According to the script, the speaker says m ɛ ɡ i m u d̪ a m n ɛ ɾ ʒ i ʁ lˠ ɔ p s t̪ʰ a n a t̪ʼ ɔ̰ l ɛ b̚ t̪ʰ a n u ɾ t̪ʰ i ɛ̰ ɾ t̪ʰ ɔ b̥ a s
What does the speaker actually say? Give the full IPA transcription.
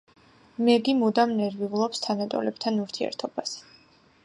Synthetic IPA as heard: m ɛ ɡ i m u d̪ a m n ɛ ɾ v i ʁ lˠ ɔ p s t̪ʰ a n a t̪ʼ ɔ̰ l ɛ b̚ t̪ʰ a n u ɾ t̪ʰ i ɛ̰ ɾ t̪ʰ ɔ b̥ a s